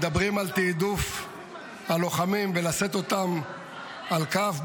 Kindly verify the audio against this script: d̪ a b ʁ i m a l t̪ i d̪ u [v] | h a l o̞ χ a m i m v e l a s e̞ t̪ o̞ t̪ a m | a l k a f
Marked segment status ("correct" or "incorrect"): incorrect